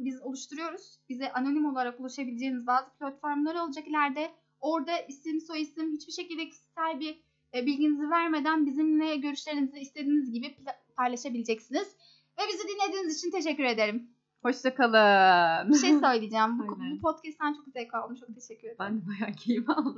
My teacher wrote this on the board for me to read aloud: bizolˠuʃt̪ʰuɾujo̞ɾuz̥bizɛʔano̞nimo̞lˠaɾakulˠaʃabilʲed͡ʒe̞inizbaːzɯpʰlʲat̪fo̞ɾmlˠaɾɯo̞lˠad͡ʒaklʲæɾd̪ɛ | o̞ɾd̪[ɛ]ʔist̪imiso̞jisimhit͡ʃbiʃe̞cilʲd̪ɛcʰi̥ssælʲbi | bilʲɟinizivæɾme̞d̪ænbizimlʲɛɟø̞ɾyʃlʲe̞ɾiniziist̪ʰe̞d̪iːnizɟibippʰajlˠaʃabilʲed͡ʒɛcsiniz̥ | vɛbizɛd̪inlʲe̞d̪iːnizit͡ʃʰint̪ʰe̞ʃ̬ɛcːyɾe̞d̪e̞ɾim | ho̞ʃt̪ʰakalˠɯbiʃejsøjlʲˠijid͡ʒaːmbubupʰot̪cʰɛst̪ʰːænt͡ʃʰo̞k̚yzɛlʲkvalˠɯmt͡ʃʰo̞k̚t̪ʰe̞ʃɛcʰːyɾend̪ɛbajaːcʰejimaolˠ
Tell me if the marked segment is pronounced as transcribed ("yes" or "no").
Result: no